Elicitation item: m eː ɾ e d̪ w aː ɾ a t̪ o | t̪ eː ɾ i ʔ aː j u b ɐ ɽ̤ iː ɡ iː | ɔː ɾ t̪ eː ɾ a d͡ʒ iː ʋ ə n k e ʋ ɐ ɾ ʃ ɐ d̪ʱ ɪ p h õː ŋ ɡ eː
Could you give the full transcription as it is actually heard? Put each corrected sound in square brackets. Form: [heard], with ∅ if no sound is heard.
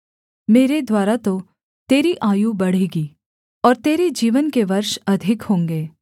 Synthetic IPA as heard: m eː ɾ e d̪ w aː ɾ a t̪ o | t̪ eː ɾ i ʔ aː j u b ɐ ɽ̤ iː ɡ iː | ɔː ɾ t̪ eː ɾ [e] d͡ʒ iː ʋ ə n k e ʋ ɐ ɾ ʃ ɐ d̪ʱ ɪ [k] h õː ŋ ɡ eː